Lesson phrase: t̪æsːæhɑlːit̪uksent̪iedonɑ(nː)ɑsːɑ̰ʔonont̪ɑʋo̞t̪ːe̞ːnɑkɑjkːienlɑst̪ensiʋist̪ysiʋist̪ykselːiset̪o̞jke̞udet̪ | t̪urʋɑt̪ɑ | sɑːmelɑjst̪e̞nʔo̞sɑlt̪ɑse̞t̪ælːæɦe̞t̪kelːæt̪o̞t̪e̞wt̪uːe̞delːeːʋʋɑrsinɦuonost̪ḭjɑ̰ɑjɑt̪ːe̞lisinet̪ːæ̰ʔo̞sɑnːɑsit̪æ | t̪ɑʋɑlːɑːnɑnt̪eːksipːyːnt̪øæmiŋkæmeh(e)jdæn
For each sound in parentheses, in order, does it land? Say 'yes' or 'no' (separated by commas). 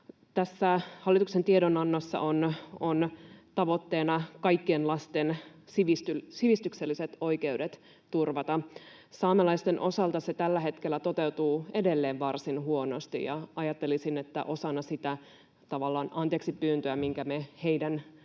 yes, yes